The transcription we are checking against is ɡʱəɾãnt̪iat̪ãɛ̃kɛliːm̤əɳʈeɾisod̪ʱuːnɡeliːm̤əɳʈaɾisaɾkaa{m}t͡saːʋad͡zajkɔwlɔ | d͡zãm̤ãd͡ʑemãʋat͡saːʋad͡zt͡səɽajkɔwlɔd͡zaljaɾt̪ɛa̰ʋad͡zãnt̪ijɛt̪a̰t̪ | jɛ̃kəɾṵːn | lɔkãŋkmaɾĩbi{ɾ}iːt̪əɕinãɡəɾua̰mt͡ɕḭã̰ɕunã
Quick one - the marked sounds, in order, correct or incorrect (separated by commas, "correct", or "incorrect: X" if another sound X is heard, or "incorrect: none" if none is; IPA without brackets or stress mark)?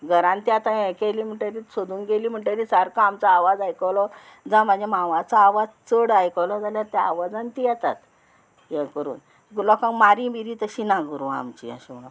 correct, correct